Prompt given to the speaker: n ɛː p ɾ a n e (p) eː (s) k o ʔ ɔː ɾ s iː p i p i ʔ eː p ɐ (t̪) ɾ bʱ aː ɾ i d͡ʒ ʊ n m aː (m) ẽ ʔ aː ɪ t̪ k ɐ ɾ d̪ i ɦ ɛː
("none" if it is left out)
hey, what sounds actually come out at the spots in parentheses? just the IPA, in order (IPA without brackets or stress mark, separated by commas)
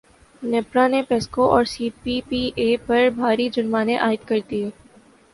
p, s, none, n